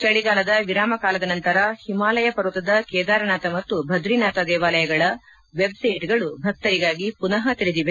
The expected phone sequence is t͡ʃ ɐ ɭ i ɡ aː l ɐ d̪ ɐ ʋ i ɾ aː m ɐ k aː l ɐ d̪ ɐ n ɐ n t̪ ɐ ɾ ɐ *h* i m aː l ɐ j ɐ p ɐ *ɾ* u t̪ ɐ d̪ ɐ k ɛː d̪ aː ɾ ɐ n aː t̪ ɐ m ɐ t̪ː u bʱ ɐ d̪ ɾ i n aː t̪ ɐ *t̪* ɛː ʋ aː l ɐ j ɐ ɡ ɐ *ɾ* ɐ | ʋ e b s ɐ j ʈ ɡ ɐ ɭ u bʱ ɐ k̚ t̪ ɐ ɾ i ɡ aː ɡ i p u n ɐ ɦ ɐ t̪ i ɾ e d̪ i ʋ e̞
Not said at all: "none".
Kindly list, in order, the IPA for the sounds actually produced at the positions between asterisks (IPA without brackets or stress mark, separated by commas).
h, ɾ, d̪, ɭ